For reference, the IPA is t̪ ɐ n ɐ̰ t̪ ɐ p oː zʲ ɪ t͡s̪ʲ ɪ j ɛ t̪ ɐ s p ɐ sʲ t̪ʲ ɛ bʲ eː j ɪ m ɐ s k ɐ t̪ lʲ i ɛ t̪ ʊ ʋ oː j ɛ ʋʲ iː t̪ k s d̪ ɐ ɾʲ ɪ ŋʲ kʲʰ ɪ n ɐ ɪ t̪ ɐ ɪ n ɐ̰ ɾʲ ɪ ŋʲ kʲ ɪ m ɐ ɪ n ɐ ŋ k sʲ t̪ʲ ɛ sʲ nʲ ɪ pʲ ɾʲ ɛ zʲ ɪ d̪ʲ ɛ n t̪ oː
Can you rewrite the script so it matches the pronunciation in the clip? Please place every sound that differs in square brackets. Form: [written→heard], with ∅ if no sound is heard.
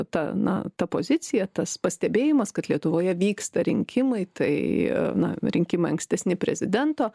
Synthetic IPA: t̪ ɐ n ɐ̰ t̪ ɐ p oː zʲ ɪ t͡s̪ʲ ɪ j ɛ t̪ ɐ s p ɐ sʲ t̪ʲ ɛ bʲ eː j ɪ m ɐ s k ɐ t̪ lʲ i ɛ t̪ ʊ ʋ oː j ɛ ʋʲ iː [t̪→∅] k s [d̪→t̪] ɐ ɾʲ ɪ ŋʲ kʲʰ ɪ [n→m] ɐ ɪ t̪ ɐ ɪ n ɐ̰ ɾʲ ɪ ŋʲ kʲ ɪ m ɐ ɪ [n→∅] ɐ ŋ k sʲ t̪ʲ ɛ sʲ nʲ ɪ pʲ ɾʲ ɛ zʲ ɪ d̪ʲ ɛ n t̪ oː